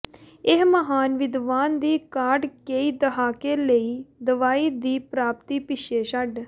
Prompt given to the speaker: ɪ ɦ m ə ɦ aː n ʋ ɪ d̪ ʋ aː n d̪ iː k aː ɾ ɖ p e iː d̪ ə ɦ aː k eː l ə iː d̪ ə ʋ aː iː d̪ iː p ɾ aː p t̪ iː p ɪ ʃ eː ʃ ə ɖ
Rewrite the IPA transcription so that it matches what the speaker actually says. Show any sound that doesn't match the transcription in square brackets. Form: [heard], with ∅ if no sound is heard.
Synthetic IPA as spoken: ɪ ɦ m ə ɦ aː n ʋ ɪ d̪ ʋ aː n d̪ iː k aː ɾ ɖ [k] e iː d̪ ə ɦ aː k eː l ə iː d̪ ə ʋ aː iː d̪ iː p ɾ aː p t̪ iː p ɪ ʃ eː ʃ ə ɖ